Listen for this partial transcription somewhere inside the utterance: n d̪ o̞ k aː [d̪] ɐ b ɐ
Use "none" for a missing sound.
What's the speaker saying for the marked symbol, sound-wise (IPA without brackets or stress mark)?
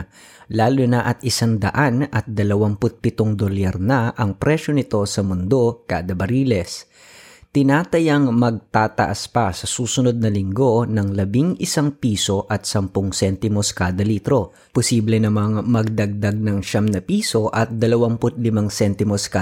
d̪